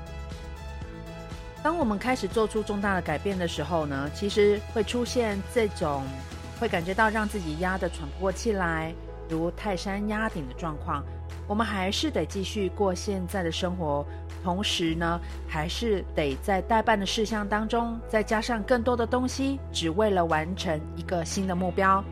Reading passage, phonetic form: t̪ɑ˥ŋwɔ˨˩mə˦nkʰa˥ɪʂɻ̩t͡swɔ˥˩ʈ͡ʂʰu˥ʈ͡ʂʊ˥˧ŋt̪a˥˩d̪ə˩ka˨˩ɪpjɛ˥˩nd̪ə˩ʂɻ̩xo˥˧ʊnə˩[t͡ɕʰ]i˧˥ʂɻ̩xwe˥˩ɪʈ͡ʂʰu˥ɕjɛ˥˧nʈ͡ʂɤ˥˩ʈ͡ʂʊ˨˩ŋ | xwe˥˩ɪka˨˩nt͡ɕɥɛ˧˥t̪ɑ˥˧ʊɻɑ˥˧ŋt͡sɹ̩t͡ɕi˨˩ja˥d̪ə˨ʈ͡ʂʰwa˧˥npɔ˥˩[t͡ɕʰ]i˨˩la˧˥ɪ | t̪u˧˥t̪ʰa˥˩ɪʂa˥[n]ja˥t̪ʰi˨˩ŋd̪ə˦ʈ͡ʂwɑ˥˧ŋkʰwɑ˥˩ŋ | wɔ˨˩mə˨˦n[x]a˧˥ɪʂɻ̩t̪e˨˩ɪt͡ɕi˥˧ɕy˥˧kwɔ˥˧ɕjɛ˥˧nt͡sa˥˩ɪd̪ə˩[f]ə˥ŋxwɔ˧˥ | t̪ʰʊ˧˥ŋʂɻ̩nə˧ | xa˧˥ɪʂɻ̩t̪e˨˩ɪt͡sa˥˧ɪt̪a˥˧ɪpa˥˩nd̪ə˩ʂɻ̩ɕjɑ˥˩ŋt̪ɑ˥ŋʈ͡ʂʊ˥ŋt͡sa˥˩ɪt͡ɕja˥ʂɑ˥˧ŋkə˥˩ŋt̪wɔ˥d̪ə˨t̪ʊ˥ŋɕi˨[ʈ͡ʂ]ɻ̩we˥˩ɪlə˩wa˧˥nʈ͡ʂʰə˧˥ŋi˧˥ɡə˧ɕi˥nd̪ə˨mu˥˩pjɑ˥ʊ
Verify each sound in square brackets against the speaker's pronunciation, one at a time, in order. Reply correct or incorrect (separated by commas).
correct, correct, correct, correct, incorrect, correct